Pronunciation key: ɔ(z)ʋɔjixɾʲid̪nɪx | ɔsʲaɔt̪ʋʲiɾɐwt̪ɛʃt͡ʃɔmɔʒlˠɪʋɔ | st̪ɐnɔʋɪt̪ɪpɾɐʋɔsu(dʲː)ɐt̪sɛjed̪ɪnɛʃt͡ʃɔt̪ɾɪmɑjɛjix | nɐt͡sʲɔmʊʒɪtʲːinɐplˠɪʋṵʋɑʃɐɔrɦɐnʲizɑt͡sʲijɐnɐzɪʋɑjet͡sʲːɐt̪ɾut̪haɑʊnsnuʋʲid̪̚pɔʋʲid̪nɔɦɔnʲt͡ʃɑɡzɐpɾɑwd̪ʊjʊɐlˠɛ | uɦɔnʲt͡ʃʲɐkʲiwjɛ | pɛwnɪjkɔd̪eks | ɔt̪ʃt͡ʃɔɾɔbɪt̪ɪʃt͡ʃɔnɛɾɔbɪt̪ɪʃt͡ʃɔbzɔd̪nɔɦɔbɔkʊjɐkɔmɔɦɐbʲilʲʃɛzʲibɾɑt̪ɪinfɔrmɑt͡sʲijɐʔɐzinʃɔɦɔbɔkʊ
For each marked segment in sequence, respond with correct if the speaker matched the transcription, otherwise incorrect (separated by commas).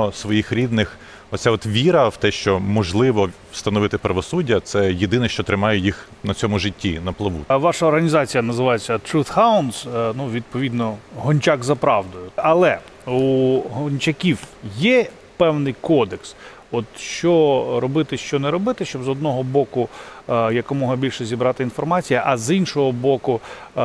incorrect, correct